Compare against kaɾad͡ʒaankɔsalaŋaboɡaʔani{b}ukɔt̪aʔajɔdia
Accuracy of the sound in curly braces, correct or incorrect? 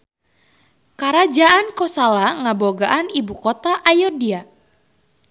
correct